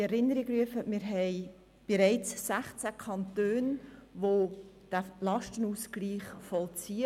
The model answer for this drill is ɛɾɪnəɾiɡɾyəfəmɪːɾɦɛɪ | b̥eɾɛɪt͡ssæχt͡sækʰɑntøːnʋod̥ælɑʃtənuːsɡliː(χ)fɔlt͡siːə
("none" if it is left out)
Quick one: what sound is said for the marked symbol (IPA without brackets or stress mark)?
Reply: χ